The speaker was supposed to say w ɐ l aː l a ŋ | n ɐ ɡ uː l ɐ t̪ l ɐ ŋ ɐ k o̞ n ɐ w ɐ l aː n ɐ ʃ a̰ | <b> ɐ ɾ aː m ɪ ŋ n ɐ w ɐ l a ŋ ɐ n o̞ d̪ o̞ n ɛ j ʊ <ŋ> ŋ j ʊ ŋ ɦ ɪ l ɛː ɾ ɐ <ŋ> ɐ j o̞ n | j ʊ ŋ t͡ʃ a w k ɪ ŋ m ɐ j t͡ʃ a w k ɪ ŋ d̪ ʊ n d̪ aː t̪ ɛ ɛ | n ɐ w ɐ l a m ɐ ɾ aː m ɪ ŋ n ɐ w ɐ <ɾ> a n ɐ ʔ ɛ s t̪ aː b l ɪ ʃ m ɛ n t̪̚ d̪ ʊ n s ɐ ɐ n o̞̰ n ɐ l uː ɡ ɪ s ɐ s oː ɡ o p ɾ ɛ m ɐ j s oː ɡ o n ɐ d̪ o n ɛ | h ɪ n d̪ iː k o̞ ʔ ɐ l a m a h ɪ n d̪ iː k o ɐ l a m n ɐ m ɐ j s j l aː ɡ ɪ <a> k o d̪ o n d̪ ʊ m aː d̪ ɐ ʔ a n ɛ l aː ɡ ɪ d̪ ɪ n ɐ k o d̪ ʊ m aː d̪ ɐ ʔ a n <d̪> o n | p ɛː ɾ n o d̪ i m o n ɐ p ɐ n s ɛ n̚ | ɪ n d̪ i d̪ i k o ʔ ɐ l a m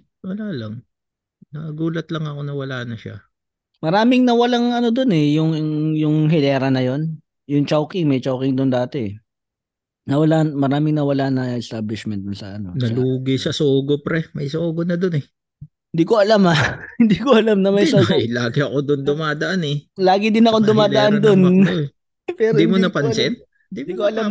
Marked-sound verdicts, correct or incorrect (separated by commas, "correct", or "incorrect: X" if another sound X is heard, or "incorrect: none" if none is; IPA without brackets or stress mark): incorrect: m, correct, incorrect: n, incorrect: l, incorrect: ɐ, correct